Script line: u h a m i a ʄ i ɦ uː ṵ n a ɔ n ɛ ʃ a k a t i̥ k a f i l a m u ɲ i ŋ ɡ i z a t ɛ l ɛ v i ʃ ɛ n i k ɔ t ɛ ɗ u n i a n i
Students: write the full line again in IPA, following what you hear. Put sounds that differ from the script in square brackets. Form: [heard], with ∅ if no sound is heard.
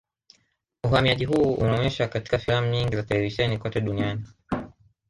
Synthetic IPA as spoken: u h a m i a ʄ i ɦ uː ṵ n a ɔ [ɲ] ɛ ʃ a k a t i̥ k a f i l a m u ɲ i ŋ ɡ i z a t ɛ l ɛ v i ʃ ɛ n i k ɔ t ɛ ɗ u n i a n i